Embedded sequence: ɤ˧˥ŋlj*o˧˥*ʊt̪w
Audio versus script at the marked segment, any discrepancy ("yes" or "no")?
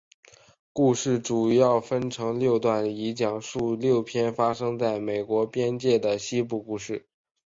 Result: yes